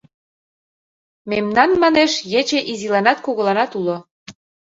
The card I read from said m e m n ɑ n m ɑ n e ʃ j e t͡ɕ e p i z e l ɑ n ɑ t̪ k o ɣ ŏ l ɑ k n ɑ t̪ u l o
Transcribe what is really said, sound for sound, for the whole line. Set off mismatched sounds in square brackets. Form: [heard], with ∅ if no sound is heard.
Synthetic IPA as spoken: m e m n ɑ n m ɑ n e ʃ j e t͡ɕ e [ʔ] i z [i] l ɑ n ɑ t̪ k o ɣ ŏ l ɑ [∅] n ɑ t̪ u l o